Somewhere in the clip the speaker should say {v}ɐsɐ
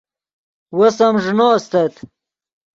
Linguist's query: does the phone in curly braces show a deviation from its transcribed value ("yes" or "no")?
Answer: yes